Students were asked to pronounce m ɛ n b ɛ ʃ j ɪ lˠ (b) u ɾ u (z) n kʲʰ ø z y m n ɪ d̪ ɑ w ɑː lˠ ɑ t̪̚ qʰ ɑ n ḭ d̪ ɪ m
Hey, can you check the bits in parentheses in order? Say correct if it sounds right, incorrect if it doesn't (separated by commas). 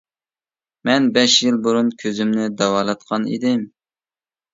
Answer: correct, incorrect